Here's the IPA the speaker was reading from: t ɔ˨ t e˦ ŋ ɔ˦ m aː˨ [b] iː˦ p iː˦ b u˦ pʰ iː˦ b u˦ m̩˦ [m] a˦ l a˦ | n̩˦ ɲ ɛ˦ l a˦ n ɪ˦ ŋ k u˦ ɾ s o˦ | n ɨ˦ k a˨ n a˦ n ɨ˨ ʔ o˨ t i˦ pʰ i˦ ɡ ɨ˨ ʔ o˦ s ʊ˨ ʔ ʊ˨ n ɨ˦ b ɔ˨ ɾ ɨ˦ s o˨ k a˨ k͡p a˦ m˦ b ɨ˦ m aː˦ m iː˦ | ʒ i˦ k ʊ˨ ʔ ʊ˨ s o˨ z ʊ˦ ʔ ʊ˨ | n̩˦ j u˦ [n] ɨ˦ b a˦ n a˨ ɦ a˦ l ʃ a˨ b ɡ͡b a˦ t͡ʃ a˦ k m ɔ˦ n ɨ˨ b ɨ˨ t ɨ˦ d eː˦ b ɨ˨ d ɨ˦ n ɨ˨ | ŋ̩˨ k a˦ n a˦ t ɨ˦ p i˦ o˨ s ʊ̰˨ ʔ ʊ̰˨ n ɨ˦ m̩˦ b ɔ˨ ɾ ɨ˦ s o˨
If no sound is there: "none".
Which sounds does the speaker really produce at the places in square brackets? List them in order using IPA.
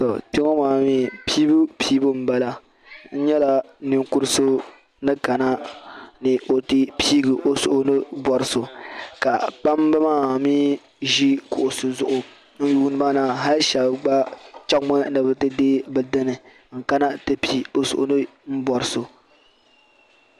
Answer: m, b, n

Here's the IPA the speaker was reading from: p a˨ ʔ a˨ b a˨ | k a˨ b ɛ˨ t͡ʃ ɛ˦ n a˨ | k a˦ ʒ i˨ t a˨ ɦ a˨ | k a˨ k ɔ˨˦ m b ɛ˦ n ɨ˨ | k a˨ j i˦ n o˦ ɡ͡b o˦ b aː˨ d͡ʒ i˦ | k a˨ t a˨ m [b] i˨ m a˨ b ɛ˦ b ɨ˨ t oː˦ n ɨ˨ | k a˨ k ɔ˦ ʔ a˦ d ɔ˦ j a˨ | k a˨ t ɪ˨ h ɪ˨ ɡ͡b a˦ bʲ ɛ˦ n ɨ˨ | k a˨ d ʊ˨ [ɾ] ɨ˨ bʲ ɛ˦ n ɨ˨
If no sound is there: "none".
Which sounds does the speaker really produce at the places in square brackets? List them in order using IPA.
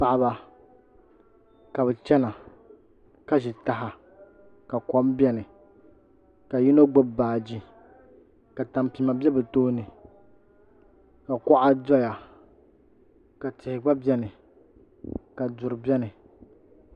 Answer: p, ɾ

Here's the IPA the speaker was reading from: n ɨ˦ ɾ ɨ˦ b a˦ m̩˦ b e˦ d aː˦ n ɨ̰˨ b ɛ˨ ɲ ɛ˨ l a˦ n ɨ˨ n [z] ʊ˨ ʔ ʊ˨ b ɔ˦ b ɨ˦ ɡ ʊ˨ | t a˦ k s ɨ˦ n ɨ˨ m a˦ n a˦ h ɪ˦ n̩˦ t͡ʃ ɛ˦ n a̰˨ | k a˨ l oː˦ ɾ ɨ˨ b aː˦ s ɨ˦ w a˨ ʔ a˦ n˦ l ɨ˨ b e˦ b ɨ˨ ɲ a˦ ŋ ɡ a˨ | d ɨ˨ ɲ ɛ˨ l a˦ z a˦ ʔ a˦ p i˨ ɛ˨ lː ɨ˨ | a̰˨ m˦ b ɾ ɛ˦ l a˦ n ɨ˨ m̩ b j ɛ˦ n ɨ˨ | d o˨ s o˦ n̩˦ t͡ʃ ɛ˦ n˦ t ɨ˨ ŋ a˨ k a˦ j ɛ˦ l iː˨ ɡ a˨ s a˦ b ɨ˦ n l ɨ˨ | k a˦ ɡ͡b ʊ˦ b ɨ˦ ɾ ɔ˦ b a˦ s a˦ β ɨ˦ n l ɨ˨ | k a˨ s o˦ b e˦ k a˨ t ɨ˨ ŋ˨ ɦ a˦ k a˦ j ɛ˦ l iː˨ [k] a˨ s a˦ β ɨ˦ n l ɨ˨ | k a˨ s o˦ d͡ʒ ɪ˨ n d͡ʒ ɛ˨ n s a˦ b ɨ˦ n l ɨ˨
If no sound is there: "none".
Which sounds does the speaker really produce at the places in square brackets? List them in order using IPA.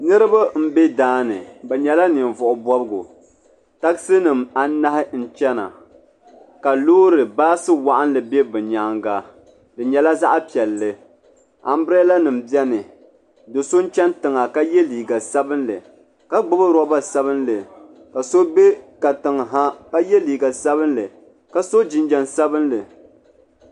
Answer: v, ɡ

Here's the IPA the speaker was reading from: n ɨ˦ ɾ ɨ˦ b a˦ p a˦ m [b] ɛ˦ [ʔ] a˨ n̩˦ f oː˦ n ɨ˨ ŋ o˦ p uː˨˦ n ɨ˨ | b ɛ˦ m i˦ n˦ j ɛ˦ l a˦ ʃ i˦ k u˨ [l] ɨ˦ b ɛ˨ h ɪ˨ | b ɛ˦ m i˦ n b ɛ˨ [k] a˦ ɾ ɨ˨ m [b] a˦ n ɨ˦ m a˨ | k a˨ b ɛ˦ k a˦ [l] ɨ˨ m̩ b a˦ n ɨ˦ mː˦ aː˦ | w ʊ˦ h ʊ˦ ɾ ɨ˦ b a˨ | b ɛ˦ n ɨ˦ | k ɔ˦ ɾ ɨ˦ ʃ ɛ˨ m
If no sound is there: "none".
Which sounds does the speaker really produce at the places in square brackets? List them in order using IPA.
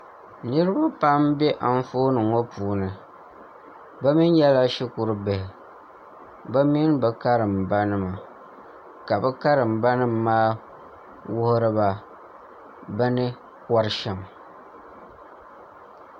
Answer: b, ʔ, ɾ, k, b, ɾ

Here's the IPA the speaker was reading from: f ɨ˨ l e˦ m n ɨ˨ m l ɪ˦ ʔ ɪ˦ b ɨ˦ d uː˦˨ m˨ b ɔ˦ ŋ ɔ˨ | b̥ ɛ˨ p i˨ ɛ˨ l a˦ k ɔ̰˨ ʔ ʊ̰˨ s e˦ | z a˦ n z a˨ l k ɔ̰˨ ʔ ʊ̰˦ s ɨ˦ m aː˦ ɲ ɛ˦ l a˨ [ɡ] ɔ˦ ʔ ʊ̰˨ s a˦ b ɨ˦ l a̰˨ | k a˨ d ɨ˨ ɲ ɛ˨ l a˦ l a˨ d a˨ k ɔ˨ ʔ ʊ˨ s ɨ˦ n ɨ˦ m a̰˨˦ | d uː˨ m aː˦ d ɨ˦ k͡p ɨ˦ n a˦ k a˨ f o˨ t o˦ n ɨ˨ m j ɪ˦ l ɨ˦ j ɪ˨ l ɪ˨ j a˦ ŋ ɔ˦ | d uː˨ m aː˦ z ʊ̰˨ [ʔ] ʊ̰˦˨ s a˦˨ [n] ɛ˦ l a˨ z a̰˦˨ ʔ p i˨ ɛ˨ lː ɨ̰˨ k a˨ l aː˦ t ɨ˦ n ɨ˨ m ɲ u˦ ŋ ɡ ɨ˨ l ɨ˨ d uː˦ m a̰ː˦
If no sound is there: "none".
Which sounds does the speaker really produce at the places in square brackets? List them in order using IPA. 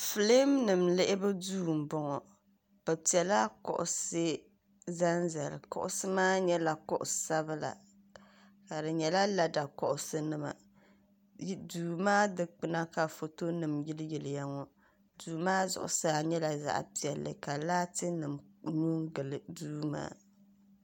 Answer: k, ʔ, ɲ

